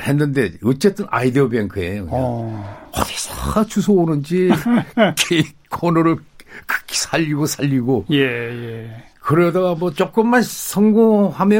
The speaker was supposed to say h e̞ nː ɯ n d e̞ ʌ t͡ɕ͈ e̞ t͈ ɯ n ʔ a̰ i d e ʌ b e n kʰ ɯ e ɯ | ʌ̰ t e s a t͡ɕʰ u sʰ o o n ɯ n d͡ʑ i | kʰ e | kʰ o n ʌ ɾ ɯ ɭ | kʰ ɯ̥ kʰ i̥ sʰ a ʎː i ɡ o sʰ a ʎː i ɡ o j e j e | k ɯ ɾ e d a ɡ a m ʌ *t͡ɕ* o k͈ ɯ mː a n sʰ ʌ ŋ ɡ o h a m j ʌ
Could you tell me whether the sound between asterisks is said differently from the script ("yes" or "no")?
no